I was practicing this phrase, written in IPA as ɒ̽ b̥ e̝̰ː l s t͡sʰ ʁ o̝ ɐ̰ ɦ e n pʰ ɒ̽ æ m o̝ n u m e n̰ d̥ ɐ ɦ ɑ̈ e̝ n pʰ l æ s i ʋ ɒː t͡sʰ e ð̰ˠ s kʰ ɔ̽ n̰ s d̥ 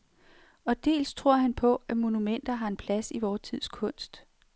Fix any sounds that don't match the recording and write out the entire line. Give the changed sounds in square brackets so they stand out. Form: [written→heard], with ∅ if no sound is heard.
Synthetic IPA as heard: ɒ̽ [b̥→d̥] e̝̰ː l s t͡sʰ ʁ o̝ ɐ̰ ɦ [e→æ] n pʰ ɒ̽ æ m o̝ n u m e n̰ d̥ ɐ ɦ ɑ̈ e̝ n pʰ l æ s i ʋ ɒː t͡sʰ [e→i] ð̰ˠ s kʰ ɔ̽ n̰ s d̥

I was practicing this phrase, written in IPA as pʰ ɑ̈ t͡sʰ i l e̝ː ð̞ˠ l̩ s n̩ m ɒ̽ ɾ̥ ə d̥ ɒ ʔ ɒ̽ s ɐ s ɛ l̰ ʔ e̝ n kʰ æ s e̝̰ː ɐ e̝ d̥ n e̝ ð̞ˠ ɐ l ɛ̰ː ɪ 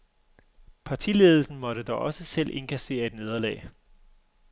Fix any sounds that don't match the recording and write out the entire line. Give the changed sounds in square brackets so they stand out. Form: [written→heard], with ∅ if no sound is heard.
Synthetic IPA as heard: pʰ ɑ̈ t͡sʰ i l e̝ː ð̞ˠ l̩ s n̩ m ɒ̽ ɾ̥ ə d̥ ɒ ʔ ɒ̽ s [ɐ→ə] s [ɛ→e] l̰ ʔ e̝ n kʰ æ s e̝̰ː ɐ e̝ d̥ n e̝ ð̞ˠ ɐ l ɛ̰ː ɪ

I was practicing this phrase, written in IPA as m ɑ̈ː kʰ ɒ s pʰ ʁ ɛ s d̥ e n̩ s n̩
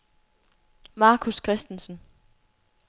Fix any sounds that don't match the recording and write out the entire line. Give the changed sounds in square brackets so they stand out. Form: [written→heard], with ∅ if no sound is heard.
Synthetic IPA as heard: m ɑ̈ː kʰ [ɒ→u] s [pʰ→kʰ] ʁ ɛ s d̥ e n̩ s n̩

